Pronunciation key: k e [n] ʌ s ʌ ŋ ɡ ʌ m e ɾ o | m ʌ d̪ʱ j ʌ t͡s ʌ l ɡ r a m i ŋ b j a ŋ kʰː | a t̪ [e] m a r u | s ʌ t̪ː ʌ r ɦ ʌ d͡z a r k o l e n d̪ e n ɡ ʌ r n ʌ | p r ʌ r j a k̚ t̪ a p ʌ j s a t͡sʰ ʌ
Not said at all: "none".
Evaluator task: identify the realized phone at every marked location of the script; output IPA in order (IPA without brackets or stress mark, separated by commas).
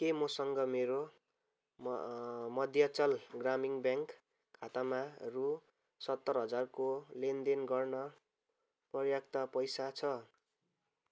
m, a